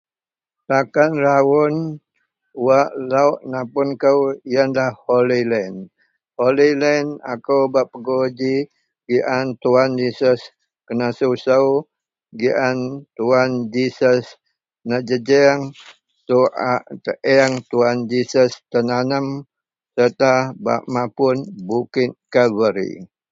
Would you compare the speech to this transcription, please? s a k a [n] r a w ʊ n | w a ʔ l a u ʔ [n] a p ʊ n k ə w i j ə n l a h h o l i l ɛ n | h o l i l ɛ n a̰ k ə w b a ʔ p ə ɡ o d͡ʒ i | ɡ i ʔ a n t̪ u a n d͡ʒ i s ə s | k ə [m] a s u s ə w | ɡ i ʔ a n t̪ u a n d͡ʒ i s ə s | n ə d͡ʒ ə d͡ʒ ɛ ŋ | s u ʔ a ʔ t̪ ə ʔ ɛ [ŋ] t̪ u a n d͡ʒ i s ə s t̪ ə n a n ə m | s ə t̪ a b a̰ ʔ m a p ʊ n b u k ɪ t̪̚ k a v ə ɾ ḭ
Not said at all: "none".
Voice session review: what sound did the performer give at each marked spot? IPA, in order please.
n, n, n, ŋ

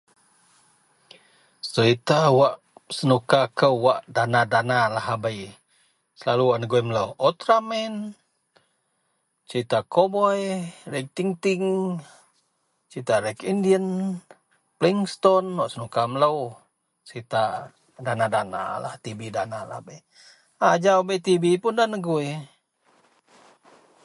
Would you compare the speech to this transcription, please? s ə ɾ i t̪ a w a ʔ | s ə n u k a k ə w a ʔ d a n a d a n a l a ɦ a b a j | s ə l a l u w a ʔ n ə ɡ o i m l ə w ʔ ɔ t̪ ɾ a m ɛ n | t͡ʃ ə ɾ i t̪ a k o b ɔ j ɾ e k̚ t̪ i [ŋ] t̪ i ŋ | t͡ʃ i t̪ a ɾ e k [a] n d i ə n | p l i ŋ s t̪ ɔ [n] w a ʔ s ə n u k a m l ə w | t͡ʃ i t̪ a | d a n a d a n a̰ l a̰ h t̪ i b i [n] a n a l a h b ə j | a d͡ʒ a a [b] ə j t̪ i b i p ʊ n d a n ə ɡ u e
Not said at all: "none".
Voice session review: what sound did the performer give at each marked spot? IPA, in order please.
ŋ, i, n, d, b

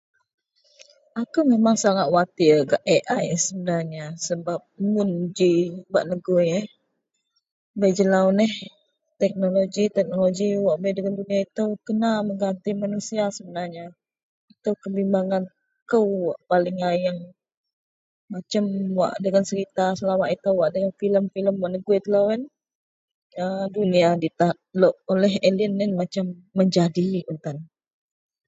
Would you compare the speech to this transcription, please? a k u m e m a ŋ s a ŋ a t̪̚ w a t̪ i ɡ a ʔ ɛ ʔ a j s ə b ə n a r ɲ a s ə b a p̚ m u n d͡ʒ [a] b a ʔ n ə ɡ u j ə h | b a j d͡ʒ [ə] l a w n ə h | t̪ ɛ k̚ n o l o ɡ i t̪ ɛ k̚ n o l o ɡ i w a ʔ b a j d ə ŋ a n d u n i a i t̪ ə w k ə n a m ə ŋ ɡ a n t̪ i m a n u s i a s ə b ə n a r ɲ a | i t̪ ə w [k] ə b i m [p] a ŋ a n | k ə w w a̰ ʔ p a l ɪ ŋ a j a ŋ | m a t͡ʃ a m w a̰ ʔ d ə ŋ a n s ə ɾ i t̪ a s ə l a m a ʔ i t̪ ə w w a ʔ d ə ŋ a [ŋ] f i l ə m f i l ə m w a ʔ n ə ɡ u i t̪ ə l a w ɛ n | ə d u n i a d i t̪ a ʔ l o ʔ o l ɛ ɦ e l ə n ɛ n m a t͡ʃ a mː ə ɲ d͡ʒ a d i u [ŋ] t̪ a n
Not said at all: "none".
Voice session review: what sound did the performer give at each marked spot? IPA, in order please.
i, ə, k, b, n, n

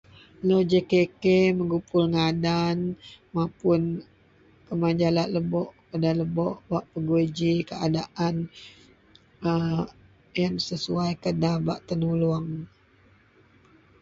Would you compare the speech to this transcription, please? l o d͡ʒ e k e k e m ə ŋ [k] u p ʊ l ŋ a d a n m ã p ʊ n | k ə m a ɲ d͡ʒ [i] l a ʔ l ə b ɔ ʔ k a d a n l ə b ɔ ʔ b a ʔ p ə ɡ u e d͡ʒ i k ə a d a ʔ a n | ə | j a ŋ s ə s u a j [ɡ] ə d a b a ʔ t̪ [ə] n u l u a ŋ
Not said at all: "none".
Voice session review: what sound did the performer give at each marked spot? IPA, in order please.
ɡ, a, k, ə

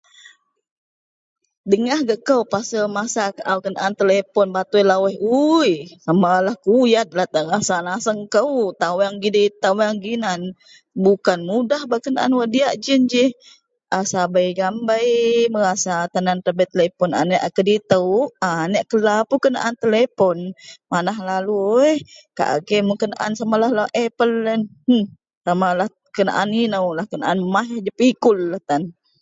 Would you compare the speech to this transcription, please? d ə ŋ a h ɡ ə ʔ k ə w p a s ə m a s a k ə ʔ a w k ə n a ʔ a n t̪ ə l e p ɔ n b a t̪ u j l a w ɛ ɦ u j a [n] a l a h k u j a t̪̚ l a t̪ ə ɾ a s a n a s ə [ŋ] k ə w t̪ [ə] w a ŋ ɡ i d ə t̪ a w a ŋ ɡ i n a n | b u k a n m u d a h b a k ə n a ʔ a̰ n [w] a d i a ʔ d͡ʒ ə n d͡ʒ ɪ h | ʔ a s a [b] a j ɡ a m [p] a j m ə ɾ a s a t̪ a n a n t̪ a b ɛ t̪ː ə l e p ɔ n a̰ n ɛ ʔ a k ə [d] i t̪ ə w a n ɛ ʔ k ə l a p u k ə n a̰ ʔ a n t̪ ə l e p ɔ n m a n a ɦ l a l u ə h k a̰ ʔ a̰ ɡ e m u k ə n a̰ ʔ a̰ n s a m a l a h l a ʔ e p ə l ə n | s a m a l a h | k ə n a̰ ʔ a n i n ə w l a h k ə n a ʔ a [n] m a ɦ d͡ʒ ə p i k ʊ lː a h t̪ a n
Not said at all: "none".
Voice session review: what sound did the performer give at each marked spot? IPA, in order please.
m, ŋ, a, w, b, b, d, n

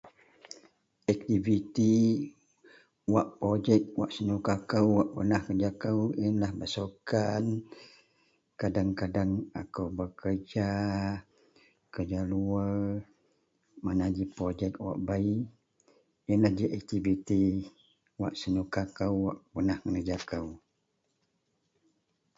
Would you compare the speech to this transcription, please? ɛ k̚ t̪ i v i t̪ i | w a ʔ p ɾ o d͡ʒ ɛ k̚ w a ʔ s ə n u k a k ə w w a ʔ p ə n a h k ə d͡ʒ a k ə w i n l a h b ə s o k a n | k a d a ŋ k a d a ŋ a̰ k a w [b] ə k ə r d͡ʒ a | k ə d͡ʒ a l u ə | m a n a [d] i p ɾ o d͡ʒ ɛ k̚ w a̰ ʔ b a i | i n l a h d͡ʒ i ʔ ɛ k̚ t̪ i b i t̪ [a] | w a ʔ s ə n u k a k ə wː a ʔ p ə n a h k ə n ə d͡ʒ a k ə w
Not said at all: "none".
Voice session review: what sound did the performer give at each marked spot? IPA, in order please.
b, d͡ʒ, i

